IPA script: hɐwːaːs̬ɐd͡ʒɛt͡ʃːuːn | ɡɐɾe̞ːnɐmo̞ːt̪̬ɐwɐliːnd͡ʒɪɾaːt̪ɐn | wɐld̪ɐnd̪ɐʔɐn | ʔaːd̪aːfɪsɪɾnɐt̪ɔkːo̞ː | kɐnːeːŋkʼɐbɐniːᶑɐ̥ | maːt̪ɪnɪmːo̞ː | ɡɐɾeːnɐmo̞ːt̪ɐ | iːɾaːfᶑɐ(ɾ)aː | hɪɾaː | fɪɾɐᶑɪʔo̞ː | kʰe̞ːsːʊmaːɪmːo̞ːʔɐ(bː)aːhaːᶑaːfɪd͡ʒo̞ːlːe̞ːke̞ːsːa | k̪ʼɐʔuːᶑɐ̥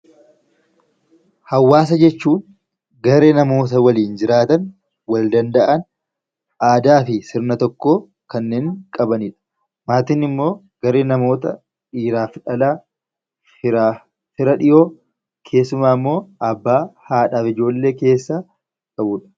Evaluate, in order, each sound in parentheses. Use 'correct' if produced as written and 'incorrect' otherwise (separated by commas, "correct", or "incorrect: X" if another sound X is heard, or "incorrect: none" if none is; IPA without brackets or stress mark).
incorrect: l, correct